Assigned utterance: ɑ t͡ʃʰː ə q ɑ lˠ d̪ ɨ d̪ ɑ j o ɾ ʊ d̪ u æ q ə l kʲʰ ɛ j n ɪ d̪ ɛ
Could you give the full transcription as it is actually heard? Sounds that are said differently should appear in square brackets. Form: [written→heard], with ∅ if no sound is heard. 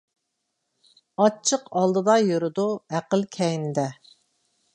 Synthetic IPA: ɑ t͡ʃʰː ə q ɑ lˠ d̪ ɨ d̪ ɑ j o ɾ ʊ d̪ u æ q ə l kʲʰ ɛ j n ɪ d̪ ɛ

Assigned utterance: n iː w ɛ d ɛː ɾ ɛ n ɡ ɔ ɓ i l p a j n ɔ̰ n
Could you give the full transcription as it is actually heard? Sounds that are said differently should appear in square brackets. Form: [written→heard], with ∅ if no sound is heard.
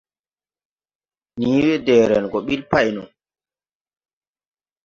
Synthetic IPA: n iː w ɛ d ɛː ɾ ɛ n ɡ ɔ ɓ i l p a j n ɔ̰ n

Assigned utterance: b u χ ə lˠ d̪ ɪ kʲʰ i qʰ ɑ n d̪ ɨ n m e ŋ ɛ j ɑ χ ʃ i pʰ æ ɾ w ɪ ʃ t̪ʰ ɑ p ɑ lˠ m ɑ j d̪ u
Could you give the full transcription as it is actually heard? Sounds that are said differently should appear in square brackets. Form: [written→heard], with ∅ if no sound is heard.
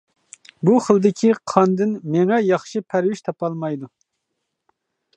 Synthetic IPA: b u χ ə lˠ d̪ ɪ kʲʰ i qʰ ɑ n d̪ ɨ n m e ŋ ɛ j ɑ χ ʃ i pʰ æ ɾ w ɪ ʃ t̪ʰ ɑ p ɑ lˠ m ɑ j d̪ u

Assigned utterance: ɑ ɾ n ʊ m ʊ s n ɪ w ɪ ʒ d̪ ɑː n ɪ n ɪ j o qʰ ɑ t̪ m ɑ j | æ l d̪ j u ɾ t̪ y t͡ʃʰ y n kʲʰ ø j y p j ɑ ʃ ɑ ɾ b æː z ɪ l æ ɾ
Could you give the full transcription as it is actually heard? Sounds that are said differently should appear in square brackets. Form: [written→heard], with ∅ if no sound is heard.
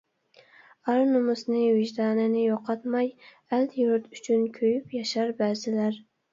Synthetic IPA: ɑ ɾ n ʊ m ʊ s n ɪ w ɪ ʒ d̪ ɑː n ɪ n ɪ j o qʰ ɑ t̪ m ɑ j | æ l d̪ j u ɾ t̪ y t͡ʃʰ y n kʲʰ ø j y p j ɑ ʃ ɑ ɾ b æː z ɪ l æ ɾ

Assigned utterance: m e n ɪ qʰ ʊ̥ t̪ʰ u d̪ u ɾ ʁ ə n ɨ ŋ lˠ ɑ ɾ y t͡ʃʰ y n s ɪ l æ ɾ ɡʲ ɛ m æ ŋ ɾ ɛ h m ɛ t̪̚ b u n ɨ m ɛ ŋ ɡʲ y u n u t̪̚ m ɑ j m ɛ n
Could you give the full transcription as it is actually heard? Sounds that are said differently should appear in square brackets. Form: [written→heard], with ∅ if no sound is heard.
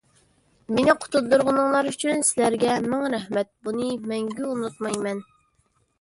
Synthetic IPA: m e n ɪ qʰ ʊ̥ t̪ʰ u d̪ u ɾ ʁ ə n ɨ ŋ lˠ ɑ ɾ y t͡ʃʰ y n s ɪ l æ ɾ ɡʲ ɛ m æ ŋ ɾ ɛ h m ɛ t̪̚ b u n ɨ m ɛ ŋ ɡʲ y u n u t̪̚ m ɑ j m ɛ n

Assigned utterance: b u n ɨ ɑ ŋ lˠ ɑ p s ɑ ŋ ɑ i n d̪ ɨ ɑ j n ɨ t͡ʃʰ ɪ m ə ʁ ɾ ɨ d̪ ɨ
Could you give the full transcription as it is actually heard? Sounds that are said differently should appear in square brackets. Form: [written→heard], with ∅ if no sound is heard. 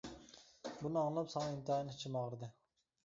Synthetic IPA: b u n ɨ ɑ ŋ lˠ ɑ p s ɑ ŋ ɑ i n [d̪→t̪] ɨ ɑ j n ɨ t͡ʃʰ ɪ m [ə→ɑ] ʁ ɾ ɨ d̪ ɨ

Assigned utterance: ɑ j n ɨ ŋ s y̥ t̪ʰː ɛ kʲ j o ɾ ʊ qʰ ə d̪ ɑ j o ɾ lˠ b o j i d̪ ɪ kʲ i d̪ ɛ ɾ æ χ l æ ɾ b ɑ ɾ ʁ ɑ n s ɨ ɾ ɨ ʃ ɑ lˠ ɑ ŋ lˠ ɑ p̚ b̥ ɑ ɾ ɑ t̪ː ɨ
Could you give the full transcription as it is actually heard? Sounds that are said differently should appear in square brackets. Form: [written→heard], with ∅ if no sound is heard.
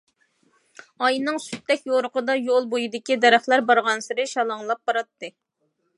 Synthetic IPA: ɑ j n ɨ ŋ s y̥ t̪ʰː ɛ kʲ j o ɾ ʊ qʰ ə d̪ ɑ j o [ɾ→∅] lˠ b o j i d̪ ɪ kʲ i d̪ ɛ ɾ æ χ l æ ɾ b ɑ ɾ ʁ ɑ n s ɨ ɾ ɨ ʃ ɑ lˠ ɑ ŋ lˠ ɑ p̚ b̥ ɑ ɾ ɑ t̪ː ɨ

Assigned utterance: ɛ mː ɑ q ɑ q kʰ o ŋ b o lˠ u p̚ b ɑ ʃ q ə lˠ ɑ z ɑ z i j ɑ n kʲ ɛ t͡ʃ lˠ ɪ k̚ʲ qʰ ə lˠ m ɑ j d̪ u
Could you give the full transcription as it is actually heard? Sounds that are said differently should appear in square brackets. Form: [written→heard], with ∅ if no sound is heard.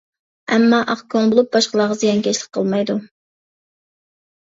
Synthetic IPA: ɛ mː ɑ [q→ʔ] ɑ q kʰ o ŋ b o lˠ u p̚ b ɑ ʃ q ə lˠ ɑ [z→ʁ] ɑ z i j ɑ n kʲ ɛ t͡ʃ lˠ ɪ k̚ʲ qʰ ə lˠ m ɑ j d̪ u

